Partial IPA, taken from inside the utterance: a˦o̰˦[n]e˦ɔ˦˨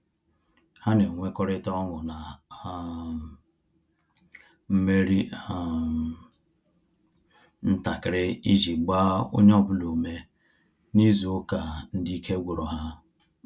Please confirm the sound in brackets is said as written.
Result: no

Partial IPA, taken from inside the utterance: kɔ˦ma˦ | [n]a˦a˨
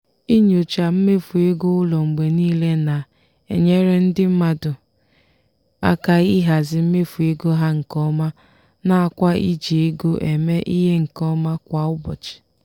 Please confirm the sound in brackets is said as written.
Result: yes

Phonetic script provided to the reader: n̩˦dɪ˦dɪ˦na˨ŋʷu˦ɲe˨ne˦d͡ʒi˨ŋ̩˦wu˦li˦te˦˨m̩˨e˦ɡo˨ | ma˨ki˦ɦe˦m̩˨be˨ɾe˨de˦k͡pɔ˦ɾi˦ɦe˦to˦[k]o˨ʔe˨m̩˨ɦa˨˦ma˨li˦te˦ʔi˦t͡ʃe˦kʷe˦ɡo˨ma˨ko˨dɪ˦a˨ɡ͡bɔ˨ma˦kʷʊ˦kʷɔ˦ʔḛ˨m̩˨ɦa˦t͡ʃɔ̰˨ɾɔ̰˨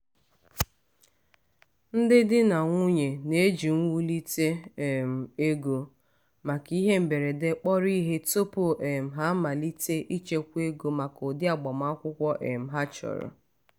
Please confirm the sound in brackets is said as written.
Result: no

